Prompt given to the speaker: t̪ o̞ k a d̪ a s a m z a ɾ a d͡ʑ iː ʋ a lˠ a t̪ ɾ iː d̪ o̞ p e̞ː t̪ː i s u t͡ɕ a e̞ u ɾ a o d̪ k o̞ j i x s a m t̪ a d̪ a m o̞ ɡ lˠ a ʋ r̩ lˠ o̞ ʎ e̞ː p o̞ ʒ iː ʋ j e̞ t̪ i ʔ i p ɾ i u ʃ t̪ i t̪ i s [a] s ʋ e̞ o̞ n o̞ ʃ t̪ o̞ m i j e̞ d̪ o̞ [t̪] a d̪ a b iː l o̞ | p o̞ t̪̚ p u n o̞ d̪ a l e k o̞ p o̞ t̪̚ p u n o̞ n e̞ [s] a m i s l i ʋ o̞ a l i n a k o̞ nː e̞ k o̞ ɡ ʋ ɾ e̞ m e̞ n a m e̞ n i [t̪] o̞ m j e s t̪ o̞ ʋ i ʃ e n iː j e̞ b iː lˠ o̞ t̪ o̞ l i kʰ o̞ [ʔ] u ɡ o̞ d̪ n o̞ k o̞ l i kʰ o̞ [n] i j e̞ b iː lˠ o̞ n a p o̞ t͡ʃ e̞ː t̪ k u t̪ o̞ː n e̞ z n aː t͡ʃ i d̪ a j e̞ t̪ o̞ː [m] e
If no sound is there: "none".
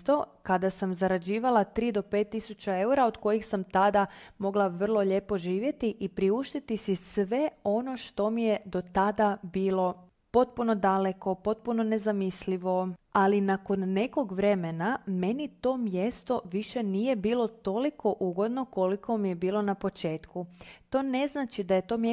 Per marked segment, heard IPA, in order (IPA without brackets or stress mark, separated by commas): i, t̪, z, t̪, ʔ, m, m